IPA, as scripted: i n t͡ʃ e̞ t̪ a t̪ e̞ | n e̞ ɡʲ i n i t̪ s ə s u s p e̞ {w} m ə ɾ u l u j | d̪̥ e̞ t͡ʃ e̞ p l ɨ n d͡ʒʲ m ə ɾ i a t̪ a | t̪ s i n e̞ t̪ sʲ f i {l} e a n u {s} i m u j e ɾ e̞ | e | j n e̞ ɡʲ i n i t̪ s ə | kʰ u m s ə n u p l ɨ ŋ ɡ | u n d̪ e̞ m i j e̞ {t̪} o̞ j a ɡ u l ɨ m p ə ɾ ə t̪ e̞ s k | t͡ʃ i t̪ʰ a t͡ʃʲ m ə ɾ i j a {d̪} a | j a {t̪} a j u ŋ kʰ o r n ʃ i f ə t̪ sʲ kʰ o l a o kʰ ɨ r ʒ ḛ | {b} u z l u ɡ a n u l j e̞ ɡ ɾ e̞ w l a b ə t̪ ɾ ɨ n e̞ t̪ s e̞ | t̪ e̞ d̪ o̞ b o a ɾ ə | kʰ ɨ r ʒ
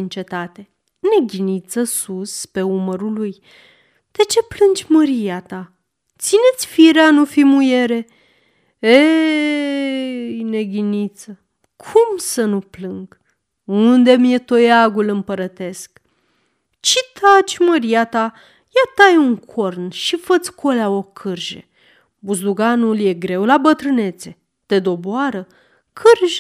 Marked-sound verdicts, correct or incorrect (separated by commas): incorrect, incorrect, incorrect, correct, incorrect, correct, correct